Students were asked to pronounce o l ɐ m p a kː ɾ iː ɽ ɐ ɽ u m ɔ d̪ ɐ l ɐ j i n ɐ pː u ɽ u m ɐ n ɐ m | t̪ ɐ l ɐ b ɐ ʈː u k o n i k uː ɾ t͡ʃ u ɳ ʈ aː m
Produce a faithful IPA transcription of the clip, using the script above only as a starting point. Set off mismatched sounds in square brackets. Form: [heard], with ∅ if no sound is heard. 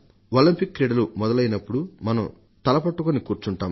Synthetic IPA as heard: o l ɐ m p [i] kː ɾ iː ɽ ɐ [l] u m ɔ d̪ ɐ l ɐ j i n ɐ pː u ɽ u m ɐ n ɐ m | t̪ ɐ l ɐ [p] ɐ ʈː u k o n i k uː ɾ t͡ʃ u ɳ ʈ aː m